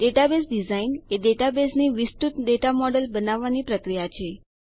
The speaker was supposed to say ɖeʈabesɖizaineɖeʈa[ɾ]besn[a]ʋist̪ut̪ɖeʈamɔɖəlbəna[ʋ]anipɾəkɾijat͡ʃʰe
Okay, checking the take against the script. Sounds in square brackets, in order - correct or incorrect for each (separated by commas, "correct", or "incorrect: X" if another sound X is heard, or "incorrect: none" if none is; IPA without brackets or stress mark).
incorrect: none, incorrect: i, incorrect: ʋː